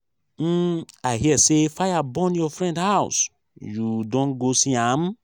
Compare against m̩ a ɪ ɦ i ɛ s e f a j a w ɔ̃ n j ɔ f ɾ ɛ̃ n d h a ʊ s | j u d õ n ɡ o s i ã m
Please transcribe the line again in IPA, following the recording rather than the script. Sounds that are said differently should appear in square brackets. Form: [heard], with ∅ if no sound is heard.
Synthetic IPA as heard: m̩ a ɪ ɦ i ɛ s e f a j a [b] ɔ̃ n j ɔ f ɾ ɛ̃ n d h a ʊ s | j u d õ n ɡ o s i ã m